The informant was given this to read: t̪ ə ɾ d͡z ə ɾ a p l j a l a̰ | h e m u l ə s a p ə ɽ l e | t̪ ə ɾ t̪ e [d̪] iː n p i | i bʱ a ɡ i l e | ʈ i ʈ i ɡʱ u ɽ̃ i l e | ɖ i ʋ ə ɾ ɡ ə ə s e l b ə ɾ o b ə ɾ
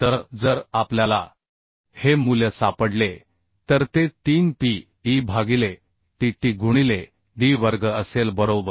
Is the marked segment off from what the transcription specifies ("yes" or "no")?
yes